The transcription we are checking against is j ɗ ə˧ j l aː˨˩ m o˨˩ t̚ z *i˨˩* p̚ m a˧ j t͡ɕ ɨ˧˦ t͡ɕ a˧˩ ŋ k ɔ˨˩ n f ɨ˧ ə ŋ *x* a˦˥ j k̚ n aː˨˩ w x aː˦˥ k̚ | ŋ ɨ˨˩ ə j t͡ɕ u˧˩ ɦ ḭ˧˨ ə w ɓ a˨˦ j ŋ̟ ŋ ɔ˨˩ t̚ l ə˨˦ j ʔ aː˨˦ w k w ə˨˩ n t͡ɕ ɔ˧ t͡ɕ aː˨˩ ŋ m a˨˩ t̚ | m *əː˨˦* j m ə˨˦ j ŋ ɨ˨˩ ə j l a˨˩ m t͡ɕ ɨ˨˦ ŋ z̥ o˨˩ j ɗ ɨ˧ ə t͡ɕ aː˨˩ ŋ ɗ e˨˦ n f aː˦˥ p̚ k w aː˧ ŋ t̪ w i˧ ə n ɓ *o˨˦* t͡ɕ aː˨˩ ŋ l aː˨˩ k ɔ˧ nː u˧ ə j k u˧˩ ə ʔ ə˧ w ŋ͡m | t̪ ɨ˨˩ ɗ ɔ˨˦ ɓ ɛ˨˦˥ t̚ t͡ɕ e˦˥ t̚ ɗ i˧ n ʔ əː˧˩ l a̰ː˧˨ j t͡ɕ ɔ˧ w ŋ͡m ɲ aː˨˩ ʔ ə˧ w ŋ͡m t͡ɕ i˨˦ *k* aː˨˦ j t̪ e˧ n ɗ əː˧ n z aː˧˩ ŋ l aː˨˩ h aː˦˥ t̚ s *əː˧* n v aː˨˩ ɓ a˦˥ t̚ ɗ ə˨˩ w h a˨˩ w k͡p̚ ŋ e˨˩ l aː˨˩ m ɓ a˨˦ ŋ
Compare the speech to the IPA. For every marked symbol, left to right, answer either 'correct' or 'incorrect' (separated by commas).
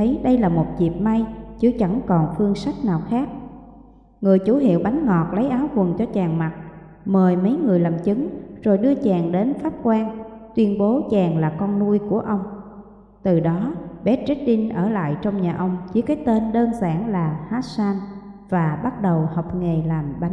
correct, incorrect, incorrect, correct, correct, incorrect